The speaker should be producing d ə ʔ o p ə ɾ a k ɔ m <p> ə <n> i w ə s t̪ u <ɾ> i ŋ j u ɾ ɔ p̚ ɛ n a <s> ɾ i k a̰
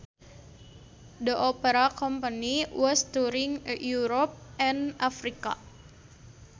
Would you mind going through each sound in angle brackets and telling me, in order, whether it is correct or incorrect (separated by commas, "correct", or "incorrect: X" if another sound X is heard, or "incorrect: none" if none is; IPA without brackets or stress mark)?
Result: correct, correct, correct, incorrect: f